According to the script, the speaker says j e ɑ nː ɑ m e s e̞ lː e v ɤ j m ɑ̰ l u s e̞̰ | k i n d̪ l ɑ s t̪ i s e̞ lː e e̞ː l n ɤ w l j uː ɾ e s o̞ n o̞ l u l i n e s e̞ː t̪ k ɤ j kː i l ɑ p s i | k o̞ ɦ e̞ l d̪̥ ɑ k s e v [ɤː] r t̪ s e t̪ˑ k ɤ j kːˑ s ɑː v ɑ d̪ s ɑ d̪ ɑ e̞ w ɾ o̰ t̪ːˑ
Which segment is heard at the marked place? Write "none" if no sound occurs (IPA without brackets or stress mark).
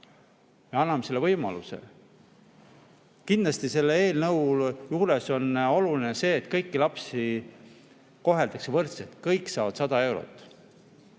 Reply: ɤ